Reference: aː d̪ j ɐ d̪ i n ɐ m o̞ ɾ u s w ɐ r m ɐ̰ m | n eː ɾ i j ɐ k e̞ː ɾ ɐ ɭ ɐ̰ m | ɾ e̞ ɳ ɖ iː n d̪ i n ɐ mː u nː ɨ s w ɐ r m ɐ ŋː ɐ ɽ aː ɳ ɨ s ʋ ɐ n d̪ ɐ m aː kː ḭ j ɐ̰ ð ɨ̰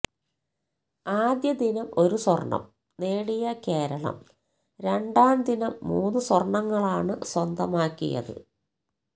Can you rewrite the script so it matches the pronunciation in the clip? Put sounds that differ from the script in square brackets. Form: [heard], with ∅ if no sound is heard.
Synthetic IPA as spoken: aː d̪ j ɐ d̪ i n ɐ m o̞ ɾ u s w ɐ r [ɳ] ɐ̰ m | n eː [ɽ] i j ɐ k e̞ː ɾ ɐ ɭ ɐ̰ m | ɾ e̞ ɳ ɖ [aː] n d̪ i n ɐ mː [uː] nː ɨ s w ɐ r [ɳ] ɐ ŋː ɐ [ɭ] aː ɳ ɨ s [w] ɐ n d̪ ɐ m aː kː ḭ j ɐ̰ ð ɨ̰